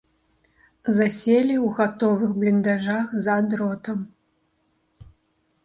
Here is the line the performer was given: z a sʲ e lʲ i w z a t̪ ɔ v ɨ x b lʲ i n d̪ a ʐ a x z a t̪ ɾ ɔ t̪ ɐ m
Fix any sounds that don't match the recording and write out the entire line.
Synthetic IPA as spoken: z a sʲ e lʲ i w ɣ a t̪ ɔ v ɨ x b lʲ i n d̪ a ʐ a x z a d̪ ɾ ɔ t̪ ɐ m